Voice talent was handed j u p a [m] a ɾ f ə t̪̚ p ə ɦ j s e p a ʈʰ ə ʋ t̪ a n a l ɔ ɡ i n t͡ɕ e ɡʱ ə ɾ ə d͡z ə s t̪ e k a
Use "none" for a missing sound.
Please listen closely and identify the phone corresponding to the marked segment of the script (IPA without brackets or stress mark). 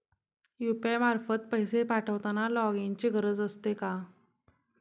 m